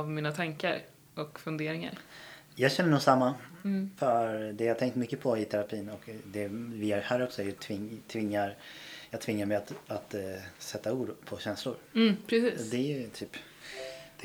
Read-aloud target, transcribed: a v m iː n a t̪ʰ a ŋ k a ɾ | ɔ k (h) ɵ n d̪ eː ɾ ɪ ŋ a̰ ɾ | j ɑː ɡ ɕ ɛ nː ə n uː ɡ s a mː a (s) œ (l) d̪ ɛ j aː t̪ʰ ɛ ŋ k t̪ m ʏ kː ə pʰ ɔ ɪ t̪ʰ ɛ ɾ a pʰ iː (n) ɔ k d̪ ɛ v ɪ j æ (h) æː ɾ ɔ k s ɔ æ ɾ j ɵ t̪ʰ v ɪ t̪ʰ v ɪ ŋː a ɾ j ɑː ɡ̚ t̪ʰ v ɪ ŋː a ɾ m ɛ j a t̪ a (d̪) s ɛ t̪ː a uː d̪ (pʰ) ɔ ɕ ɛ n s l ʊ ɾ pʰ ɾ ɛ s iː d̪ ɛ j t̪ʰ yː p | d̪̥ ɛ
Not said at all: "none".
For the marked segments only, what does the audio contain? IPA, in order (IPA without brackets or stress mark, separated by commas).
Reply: f, f, ɾ, n, h, t̪, pʰ